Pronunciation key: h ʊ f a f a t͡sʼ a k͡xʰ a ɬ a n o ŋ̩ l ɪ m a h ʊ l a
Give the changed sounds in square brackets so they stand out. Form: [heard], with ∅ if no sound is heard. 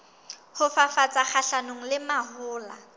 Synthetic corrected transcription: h ʊ f a f a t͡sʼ a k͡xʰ a ɬ a n o ŋ̩ l ɪ m a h [ʊː] l a